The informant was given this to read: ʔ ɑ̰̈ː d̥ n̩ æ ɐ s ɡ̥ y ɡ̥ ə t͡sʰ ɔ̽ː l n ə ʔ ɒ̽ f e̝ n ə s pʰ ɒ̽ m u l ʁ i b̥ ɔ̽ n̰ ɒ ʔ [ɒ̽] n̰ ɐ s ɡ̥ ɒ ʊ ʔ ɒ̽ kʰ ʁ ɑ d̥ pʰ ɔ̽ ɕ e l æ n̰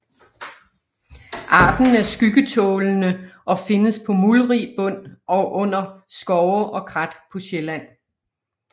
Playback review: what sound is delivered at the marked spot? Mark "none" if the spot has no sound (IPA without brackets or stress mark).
ɔ̽